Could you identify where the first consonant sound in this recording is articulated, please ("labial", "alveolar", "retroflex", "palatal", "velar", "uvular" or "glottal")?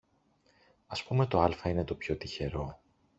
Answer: alveolar